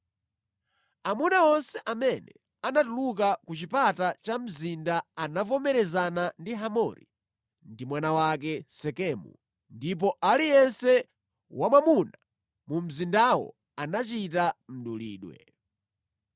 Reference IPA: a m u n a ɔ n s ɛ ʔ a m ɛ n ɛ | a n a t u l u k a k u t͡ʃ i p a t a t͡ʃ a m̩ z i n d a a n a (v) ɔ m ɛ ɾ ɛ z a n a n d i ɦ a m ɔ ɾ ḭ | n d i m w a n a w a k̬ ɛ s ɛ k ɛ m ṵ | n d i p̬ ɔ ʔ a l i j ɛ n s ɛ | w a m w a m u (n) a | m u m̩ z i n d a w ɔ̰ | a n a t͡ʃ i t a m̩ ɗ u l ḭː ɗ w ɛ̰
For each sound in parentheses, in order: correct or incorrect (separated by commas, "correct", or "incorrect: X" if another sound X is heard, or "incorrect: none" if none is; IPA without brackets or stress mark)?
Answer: correct, correct